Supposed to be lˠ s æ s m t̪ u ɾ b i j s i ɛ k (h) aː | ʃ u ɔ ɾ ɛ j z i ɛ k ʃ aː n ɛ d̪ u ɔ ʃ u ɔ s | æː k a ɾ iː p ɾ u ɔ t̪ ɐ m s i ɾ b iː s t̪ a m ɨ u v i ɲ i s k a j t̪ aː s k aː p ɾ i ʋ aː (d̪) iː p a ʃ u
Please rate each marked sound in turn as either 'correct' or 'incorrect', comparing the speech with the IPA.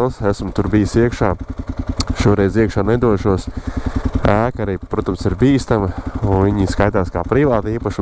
incorrect: ʃ, incorrect: t̪

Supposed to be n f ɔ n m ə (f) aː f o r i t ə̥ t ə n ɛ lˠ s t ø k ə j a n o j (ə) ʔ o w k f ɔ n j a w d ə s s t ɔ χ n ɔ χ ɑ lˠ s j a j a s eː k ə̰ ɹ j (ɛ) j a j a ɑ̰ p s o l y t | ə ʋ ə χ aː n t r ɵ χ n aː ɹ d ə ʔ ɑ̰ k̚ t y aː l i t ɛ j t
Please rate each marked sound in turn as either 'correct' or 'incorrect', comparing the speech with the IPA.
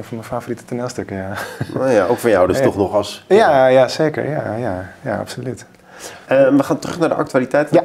correct, incorrect: a, incorrect: a

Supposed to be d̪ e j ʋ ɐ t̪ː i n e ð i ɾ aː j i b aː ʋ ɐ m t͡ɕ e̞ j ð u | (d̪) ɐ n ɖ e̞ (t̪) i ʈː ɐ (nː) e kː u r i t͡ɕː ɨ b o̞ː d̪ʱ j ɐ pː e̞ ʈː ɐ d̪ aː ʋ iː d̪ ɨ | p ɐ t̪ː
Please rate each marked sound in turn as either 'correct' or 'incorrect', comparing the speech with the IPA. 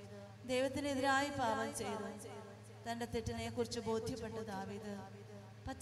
incorrect: t̪, correct, incorrect: n

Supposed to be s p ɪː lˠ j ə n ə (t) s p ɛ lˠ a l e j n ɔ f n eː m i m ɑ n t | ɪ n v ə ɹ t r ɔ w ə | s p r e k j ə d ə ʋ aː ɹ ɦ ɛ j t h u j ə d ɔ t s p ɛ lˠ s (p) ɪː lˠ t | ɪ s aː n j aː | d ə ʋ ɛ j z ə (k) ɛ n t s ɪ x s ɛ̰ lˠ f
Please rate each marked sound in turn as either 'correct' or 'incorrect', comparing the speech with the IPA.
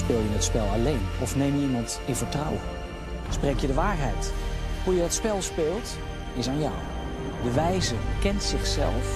correct, correct, correct

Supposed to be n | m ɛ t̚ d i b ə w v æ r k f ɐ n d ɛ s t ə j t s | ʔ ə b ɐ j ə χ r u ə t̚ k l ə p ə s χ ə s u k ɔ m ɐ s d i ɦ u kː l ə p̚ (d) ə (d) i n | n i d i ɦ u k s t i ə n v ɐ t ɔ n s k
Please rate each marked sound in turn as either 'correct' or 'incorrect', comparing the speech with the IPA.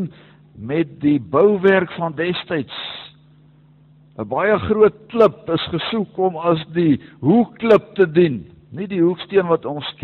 incorrect: t, correct

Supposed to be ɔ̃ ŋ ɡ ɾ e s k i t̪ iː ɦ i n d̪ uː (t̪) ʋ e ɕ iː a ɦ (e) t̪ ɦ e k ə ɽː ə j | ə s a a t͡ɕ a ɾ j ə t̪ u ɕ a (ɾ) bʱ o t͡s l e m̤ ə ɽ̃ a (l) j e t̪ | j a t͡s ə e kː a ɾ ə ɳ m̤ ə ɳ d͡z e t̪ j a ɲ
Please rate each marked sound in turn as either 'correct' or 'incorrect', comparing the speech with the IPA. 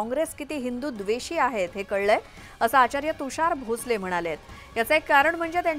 incorrect: d̪, correct, correct, correct

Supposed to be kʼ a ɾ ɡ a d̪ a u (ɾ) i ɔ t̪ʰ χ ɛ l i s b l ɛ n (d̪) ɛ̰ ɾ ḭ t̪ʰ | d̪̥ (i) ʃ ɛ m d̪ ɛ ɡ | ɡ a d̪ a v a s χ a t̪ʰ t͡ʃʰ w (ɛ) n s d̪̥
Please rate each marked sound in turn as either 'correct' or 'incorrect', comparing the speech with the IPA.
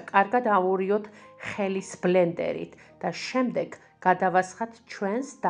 correct, correct, incorrect: a, correct

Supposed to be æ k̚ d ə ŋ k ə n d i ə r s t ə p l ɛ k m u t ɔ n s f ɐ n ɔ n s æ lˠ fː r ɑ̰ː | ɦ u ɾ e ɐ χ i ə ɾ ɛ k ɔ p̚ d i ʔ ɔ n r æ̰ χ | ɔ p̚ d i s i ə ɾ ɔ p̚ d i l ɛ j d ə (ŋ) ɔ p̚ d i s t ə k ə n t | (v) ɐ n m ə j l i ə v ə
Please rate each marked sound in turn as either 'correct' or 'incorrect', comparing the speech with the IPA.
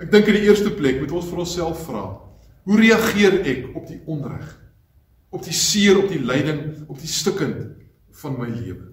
correct, incorrect: f

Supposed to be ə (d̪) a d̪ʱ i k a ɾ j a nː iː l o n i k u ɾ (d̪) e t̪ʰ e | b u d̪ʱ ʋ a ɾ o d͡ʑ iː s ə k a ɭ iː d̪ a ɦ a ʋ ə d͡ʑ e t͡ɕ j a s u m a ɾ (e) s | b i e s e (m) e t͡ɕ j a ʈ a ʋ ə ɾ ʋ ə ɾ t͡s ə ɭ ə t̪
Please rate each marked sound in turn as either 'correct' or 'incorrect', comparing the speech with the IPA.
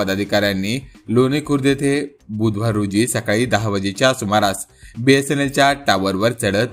correct, correct, incorrect: a, incorrect: n

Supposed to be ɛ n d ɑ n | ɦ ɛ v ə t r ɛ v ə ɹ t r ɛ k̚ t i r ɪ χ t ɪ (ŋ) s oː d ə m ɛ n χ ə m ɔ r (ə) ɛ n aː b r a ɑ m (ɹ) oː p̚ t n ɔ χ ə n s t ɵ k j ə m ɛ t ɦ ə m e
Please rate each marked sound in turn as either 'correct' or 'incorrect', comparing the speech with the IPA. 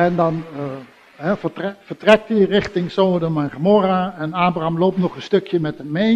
correct, incorrect: a, incorrect: l

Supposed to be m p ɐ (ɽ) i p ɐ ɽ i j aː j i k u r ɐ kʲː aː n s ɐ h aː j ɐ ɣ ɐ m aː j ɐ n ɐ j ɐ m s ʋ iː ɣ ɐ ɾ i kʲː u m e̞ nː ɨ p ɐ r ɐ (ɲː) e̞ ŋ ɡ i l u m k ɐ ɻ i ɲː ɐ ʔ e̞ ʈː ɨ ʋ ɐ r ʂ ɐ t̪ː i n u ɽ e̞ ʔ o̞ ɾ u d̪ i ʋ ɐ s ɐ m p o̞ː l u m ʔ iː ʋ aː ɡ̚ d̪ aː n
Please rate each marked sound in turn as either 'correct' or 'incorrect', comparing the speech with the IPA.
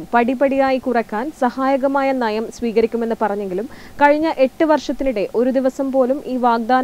correct, correct

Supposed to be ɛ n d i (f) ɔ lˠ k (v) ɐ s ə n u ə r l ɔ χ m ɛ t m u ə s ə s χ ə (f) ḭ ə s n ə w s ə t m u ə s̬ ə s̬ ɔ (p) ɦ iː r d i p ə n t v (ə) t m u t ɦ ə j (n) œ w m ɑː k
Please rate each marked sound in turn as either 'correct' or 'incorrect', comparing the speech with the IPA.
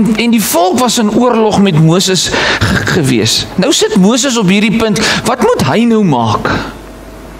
correct, correct, incorrect: v, correct, incorrect: ɐ, correct

